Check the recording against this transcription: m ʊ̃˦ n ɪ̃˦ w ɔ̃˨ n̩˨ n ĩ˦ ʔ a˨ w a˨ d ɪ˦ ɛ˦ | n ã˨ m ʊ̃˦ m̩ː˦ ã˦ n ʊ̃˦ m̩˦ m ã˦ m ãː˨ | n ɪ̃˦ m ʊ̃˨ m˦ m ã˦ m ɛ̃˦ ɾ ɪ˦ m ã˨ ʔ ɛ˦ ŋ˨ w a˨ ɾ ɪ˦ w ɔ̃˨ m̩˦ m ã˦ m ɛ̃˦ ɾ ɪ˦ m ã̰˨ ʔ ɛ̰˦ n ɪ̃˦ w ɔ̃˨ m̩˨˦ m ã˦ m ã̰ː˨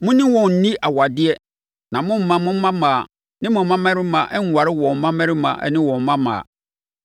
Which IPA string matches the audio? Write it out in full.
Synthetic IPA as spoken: m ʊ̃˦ n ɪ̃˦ w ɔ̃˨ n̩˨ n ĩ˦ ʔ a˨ w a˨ d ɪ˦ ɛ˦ | n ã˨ m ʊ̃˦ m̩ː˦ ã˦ m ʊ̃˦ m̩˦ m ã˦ m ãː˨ | n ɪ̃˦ m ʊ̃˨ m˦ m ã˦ m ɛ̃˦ ɾ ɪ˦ m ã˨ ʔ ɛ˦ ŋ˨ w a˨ ɾ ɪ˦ w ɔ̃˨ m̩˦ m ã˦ m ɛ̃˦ ɾ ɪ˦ m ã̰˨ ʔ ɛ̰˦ n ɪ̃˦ w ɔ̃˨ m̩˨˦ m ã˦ m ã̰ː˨

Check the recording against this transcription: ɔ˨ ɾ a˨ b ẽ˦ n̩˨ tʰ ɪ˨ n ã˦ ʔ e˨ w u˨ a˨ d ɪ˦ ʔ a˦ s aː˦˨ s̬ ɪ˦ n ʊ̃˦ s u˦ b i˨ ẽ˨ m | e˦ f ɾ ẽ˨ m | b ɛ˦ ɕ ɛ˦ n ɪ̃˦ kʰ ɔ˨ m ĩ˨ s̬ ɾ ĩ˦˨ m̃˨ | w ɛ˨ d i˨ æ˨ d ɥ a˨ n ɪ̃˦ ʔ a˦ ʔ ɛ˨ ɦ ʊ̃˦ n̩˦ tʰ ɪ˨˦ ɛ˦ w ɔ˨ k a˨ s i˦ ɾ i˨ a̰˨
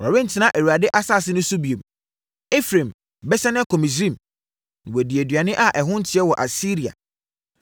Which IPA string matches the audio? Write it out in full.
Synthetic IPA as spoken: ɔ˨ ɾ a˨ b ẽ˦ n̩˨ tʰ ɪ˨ n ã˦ ʔ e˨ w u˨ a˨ d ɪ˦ ʔ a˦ s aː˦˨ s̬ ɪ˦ n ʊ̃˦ s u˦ b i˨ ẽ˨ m | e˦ f ɾ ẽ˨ m | b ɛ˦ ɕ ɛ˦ n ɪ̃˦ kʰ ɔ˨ m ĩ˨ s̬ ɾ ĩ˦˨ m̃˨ | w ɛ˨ d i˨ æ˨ d ɥ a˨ n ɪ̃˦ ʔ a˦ ʔ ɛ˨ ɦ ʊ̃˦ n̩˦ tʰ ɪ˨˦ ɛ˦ w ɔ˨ ʔ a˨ s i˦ ɾ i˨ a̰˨

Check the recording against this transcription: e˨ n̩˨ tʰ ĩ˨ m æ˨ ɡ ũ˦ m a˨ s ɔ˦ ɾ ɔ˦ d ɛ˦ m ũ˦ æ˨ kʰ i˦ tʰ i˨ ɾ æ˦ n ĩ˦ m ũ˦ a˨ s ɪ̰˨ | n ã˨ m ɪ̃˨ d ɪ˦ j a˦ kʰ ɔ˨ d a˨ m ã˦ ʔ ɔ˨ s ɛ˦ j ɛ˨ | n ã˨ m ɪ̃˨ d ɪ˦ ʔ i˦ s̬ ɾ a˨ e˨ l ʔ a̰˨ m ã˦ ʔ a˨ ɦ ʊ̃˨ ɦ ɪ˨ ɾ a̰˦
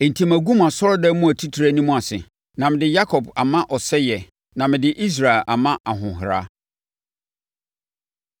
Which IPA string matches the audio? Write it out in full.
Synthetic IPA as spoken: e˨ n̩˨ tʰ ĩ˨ m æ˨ ɡ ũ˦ m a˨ s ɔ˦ ɾ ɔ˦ d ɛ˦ m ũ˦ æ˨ tʰ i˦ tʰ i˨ ɾ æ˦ n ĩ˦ m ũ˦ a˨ s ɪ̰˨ | n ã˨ m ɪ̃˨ d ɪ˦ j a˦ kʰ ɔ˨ b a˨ m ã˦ ʔ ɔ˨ s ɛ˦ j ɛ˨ | n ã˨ m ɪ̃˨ d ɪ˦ ʔ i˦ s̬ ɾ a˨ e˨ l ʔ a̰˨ m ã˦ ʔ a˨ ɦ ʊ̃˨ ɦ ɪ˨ ɾ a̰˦

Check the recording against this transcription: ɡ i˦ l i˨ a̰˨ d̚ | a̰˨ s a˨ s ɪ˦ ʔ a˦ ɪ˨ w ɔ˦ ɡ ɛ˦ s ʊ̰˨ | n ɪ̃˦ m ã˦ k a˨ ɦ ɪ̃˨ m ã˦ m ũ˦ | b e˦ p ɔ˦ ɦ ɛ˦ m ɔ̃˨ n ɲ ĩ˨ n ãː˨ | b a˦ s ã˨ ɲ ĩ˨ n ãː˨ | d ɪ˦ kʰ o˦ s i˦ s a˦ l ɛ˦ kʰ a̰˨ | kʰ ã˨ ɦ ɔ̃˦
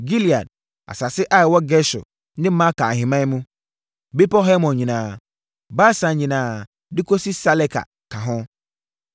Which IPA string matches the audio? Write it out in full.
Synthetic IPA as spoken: ɡ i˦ l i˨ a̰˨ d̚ | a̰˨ s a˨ s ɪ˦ ʔ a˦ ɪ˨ w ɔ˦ ɡ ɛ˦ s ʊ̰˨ | n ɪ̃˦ m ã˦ k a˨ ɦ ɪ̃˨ m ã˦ m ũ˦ | b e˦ p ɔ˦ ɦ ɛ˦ m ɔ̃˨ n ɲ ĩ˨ n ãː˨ | b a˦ s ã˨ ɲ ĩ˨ n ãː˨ | d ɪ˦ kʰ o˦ s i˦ s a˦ l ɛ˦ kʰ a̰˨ | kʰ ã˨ ɦ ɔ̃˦

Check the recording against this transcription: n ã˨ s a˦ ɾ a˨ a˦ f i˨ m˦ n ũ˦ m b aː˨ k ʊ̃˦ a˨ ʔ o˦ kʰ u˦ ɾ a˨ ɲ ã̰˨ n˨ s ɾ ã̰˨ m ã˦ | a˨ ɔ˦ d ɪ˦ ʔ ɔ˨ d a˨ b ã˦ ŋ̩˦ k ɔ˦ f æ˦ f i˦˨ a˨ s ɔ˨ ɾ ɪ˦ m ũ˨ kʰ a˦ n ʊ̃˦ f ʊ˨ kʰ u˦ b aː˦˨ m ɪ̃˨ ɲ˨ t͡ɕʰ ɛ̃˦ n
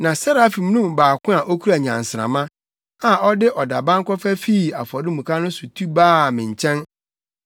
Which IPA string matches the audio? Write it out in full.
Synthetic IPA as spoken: n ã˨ s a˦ ɾ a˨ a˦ f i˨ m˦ n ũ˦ m b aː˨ k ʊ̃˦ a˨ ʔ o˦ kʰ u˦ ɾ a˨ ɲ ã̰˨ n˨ s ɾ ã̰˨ m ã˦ | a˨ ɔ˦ d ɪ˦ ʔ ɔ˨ d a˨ b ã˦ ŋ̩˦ k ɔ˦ f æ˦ f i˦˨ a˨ f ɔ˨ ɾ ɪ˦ m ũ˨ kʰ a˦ n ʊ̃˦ s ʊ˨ tʰ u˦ b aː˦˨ m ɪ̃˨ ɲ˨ t͡ɕʰ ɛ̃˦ n

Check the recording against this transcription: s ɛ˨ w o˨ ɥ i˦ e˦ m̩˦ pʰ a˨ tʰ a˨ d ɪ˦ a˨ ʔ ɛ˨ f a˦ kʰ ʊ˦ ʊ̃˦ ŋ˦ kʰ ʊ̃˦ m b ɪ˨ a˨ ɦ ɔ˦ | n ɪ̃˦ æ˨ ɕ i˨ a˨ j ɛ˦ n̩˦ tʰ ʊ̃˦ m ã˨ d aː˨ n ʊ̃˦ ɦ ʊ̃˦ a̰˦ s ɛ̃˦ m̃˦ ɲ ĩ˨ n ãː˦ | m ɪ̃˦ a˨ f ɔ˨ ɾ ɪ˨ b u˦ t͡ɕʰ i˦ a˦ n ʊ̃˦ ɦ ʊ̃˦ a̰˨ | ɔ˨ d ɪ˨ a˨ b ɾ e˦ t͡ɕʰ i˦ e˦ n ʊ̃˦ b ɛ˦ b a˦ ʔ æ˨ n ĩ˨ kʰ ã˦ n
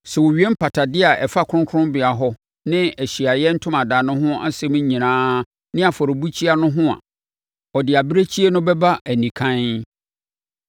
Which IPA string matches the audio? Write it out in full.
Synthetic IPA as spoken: s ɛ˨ w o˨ ɥ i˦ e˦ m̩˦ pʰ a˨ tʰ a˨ d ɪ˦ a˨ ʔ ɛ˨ f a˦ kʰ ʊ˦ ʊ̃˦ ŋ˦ kʰ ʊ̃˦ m b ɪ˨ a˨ ɦ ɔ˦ | n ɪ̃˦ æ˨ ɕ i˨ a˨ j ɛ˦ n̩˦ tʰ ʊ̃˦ m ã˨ d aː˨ n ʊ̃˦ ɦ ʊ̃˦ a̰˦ s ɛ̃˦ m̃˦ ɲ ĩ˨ n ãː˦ | n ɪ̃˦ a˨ f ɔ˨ ɾ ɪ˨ b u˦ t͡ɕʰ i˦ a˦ n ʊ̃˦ ɦ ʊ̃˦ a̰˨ | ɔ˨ d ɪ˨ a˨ b ɾ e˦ t͡ɕʰ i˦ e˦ n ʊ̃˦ b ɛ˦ b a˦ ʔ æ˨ n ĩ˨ kʰ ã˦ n

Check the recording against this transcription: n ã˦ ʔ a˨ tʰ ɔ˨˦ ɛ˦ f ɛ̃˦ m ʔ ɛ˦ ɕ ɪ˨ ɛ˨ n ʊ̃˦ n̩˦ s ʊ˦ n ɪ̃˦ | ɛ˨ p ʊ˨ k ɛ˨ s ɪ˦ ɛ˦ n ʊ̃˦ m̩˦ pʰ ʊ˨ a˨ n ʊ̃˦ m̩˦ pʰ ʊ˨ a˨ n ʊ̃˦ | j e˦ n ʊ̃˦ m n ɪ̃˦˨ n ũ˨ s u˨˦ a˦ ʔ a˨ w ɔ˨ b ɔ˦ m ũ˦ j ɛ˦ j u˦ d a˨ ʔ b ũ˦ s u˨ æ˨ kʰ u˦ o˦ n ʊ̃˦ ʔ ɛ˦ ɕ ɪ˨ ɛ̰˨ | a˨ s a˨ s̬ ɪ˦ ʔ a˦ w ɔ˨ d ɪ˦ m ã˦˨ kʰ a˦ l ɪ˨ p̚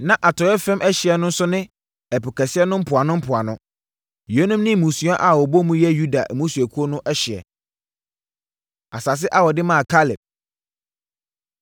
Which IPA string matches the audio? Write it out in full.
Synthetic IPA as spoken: n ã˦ ʔ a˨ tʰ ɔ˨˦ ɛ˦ f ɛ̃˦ m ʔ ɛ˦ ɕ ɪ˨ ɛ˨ n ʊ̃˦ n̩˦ s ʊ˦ n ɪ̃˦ | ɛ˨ p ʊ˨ k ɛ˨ s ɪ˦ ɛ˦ n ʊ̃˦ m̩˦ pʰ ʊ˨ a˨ n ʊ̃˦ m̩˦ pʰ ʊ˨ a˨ n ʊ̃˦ | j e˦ n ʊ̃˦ m n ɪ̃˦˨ m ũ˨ s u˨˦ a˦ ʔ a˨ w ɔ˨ b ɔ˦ m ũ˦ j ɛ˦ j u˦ d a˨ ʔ m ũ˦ s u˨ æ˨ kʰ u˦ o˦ n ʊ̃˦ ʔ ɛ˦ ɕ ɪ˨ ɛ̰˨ | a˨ s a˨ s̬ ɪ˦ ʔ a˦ w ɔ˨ d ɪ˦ m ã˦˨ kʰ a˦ l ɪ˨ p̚

